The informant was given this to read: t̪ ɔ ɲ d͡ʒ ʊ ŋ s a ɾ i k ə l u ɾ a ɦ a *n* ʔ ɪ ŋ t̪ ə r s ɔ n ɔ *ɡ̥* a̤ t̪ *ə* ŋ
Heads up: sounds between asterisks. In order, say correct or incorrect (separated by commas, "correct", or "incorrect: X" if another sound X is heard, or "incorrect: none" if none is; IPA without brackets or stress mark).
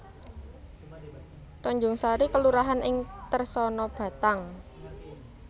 correct, incorrect: b̥, incorrect: a